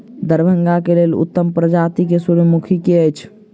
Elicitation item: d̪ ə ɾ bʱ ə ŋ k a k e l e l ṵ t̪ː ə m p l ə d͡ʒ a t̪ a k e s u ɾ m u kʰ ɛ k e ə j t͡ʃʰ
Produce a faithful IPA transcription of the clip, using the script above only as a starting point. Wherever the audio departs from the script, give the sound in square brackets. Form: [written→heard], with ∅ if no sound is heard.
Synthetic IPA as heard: d̪ ə ɾ bʱ ə ŋ [k→ɡ] a k e l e l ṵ t̪ː ə m p [l→ɾ] ə d͡ʒ a t̪ [a→i] k e s u ɾ m u kʰ [ɛ→i] k e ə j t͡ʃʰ

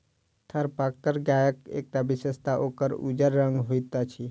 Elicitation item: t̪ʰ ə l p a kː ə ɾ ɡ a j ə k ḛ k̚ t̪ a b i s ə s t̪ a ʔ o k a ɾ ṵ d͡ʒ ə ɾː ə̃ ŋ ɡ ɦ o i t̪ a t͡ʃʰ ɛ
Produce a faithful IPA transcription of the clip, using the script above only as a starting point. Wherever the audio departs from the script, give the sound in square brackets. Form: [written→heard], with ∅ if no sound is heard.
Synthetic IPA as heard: t̪ʰ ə [l→ɾ] p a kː ə ɾ ɡ a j ə k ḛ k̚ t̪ a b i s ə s t̪ a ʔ o k [a→ə] ɾ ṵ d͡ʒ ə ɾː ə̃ ŋ ɡ ɦ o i t̪ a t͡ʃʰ [ɛ→i]

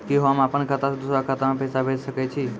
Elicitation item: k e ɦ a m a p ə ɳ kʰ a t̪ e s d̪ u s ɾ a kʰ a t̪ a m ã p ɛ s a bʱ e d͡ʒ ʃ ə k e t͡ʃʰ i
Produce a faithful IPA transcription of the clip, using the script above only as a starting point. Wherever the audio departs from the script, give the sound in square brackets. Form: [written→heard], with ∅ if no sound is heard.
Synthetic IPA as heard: k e ɦ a m a p ə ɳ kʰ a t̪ [e→a] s d̪ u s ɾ a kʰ a t̪ a m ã p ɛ s a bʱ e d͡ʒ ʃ ə k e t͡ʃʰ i

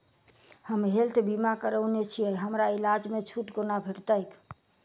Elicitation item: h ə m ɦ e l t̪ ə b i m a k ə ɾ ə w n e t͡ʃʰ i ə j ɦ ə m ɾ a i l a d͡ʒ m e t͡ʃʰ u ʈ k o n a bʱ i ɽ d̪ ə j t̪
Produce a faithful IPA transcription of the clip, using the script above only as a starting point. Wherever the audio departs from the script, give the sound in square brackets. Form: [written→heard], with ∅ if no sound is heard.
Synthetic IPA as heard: h ə m ɦ e l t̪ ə b i m a k ə ɾ ə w n e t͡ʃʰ i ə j ɦ ə m ɾ a i l a d͡ʒ m e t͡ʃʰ u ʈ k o n a bʱ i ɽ [d̪→t̪] ə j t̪

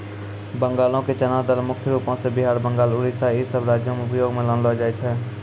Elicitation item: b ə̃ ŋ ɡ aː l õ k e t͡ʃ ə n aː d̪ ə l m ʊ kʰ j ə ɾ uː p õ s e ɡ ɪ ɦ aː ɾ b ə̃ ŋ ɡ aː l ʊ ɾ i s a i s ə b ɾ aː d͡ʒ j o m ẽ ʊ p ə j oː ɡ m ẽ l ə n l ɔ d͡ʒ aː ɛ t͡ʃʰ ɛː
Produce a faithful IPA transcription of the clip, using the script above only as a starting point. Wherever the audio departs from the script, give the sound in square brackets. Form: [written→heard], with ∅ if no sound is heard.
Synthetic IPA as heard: b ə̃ ŋ ɡ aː l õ k e t͡ʃ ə n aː d̪ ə l m ʊ kʰ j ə ɾ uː p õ s e [ɡ→b] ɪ ɦ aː ɾ b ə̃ ŋ ɡ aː l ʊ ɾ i s a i s ə b ɾ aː d͡ʒ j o m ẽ ʊ p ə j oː ɡ m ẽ l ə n l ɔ d͡ʒ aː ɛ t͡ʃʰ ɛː

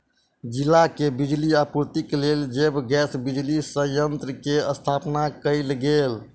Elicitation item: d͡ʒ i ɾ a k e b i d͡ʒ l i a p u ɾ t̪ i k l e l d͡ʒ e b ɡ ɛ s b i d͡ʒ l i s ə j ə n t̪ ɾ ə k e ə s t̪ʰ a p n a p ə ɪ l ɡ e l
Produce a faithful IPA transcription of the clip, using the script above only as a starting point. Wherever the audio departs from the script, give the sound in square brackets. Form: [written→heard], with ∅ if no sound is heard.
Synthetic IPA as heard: d͡ʒ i [ɾ→l] a k e b i d͡ʒ l i a p u ɾ t̪ i k l e l d͡ʒ e b ɡ ɛ s b i d͡ʒ l i s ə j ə n t̪ ɾ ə k e ə s t̪ʰ a p n a [p→k] ə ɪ l ɡ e l

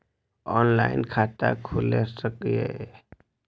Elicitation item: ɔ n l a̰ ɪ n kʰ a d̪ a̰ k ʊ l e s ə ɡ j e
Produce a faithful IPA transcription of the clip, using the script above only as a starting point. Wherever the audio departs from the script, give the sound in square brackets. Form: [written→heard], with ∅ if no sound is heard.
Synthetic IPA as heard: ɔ n l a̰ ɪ n kʰ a [d̪→t̪] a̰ [k→kʰ] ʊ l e s ə [ɡ→k] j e

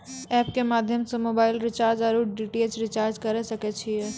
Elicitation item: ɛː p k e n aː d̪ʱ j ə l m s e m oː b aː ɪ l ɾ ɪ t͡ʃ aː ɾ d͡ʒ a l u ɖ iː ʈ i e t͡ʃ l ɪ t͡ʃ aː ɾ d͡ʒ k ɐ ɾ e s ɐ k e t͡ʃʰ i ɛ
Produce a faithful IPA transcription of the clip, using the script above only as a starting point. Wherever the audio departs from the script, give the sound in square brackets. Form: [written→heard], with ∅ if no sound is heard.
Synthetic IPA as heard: ɛː p k e [n→m] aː d̪ʱ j ə [l→∅] m s e m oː b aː ɪ l ɾ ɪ t͡ʃ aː ɾ d͡ʒ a [l→ɾ] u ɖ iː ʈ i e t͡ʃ [l→ɾ] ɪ t͡ʃ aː ɾ d͡ʒ k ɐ ɾ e s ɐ k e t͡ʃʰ i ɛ

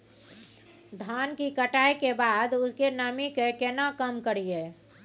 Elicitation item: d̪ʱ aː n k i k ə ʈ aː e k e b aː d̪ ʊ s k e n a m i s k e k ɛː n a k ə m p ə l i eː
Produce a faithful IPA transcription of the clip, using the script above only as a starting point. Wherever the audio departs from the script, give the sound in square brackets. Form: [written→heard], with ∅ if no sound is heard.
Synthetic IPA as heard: d̪ʱ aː n k i k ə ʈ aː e k e b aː d̪ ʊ s k e n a m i [s→∅] k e k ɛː n a k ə m [p→k] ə [l→ɾ] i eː

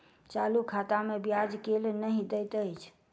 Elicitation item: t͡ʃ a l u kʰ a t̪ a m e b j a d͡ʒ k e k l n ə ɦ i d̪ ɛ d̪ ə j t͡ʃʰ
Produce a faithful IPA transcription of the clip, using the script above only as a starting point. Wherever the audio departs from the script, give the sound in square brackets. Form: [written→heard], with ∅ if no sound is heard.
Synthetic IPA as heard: t͡ʃ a l u kʰ a t̪ a m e b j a d͡ʒ k e [k→∅] l n ə ɦ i d̪ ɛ [d̪→t̪] ə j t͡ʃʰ

